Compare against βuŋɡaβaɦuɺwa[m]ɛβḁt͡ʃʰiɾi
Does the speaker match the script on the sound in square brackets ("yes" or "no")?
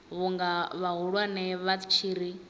no